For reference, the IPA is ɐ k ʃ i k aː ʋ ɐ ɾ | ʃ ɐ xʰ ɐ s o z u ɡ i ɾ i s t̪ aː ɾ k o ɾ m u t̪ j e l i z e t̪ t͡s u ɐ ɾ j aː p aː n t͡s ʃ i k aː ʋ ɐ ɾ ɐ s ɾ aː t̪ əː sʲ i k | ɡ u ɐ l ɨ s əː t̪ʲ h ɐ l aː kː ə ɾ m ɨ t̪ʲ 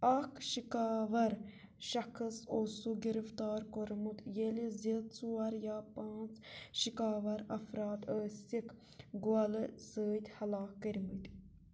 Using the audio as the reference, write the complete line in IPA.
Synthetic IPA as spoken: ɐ k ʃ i k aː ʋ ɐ ɾ | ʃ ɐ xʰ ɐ s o s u ɡ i ɾ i f t̪ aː ɾ k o ɾ m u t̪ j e l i z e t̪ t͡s u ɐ ɾ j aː p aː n t͡s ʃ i k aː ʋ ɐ ɾ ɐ f ɾ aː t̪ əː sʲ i k | ɡ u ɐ l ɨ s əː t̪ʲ h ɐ l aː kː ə ɾ m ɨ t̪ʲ